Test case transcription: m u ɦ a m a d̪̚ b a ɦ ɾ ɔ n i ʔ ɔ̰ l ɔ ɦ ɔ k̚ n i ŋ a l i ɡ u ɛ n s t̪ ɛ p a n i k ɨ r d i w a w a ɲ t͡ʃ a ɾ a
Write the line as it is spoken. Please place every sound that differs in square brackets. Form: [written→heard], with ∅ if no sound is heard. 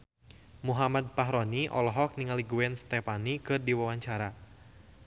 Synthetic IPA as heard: m u ɦ a m a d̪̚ [b→p] a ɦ ɾ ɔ n i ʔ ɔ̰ l ɔ ɦ ɔ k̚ n i ŋ a l i ɡ u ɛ n s t̪ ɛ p a n i k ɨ r d i w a w a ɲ t͡ʃ a ɾ a